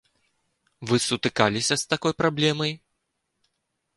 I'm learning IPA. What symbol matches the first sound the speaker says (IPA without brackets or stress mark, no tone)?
v